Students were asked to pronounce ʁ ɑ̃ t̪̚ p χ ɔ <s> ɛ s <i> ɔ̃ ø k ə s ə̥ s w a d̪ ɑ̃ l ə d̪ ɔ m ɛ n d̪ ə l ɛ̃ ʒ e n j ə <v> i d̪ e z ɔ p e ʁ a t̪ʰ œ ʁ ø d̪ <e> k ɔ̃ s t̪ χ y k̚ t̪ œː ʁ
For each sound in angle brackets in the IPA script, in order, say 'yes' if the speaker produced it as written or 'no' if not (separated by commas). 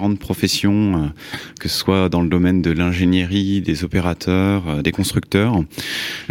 no, no, no, yes